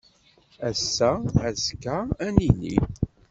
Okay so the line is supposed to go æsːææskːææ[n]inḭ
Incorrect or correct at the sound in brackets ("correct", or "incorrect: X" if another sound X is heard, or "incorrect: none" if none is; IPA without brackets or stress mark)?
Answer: correct